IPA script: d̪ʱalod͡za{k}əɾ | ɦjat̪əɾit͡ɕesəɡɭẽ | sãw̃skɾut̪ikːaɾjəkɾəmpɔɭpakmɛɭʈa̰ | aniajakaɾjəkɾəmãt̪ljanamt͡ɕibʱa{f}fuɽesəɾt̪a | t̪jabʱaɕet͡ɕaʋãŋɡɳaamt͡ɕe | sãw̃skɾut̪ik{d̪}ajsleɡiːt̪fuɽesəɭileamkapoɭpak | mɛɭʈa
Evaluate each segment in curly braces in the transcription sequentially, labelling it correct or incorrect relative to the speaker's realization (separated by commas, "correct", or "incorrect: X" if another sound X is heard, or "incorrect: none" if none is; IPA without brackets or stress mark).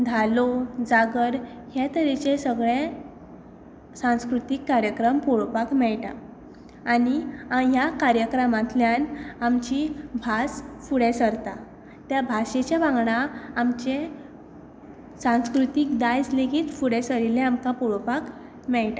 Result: incorrect: ɡ, incorrect: s, correct